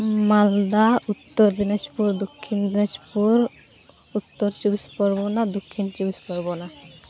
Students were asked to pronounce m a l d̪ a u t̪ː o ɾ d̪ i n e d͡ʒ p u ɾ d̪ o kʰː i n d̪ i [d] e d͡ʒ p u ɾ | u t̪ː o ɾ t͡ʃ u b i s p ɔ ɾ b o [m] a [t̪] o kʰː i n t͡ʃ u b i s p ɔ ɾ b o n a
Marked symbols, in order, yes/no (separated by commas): no, no, no